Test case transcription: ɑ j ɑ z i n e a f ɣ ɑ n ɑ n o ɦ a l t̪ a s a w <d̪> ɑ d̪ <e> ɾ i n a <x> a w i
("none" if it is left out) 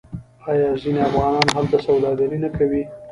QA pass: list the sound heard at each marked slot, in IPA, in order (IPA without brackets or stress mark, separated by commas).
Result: d̪, a, k